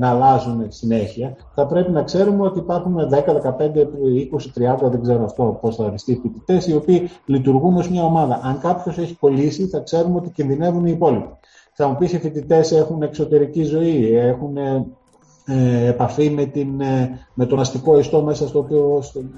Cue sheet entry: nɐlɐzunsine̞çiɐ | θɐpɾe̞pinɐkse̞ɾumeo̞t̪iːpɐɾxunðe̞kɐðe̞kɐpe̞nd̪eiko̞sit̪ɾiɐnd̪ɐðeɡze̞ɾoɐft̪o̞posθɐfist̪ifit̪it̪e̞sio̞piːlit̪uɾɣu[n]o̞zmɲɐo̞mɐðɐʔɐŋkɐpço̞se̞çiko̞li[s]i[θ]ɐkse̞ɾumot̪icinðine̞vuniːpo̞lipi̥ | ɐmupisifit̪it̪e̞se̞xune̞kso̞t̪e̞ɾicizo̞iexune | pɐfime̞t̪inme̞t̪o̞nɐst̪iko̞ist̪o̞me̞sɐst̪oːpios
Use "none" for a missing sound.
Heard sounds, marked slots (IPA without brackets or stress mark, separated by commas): n, s, θ